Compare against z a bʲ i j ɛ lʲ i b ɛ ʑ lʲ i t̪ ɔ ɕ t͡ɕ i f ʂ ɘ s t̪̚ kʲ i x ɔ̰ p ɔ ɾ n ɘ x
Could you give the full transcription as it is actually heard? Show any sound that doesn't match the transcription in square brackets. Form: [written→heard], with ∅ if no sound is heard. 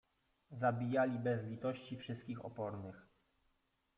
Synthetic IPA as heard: z a bʲ i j [ɛ→a] lʲ i b ɛ [ʑ→z] lʲ i t̪ ɔ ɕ t͡ɕ i f ʂ ɘ s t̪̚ kʲ i x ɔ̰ p ɔ ɾ n ɘ x